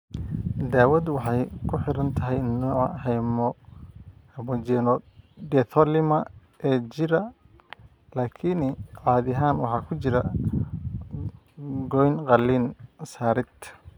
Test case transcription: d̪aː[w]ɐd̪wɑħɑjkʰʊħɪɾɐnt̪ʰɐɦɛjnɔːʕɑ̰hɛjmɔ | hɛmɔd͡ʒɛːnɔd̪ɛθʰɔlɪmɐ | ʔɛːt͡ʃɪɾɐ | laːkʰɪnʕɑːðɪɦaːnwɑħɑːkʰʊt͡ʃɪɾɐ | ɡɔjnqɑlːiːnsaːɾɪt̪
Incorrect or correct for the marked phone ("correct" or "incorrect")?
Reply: correct